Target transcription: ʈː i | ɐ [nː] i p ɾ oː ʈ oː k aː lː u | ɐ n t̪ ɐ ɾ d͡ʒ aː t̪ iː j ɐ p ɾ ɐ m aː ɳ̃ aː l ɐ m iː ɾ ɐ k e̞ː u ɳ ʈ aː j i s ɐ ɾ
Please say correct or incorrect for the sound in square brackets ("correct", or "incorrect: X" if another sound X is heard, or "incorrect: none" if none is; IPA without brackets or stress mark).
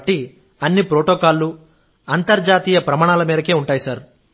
correct